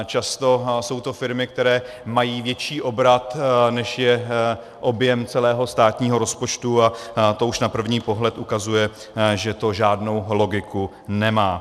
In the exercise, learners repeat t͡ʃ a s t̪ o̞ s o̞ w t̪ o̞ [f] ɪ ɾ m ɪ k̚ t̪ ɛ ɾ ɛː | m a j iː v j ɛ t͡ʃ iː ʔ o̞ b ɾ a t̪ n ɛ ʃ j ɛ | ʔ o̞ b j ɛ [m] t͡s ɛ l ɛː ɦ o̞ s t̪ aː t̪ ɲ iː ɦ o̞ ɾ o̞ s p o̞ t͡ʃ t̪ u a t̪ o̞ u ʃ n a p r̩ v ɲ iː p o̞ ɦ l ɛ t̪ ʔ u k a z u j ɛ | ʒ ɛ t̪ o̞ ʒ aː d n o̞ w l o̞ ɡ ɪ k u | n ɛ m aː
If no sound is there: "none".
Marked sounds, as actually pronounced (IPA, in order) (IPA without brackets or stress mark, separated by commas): f, m